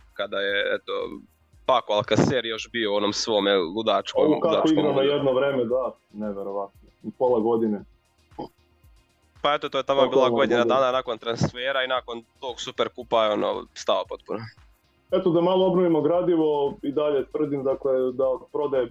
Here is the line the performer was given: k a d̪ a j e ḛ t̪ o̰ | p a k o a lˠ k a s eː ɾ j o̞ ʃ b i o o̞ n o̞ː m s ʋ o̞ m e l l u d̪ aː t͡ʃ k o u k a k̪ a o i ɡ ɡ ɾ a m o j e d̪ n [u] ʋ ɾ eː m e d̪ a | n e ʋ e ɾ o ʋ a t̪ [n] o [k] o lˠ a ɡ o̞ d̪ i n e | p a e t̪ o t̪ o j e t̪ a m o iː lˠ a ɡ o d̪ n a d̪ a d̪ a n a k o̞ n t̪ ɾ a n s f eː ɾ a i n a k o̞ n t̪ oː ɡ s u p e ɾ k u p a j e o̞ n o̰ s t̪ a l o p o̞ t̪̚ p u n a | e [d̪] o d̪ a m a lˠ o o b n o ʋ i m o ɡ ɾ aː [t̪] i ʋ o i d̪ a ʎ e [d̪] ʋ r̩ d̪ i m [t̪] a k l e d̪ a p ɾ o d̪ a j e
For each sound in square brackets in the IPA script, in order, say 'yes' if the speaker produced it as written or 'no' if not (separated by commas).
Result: no, yes, no, no, no, no, no